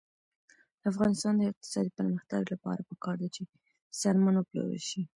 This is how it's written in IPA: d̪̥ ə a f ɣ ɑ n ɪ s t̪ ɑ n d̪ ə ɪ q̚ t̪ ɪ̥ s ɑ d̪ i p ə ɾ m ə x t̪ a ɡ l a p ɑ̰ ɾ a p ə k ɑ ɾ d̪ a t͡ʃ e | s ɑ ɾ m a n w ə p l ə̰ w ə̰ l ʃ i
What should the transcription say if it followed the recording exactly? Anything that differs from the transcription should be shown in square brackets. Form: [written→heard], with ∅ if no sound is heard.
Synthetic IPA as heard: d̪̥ ə a f ɣ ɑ n ɪ s t̪ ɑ n d̪ ə ɪ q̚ t̪ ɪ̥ s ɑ d̪ i p ə ɾ m ə x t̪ a ɡ l a p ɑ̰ ɾ a p ə k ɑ ɾ d̪ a t͡ʃ e | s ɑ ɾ m a n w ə p l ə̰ w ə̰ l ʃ i